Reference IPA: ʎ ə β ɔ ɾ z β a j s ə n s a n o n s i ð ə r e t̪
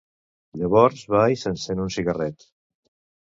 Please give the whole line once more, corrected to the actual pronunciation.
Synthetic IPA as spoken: ʎ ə β ɔ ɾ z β a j s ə n s e n u n s i ɣ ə r ɛ t̪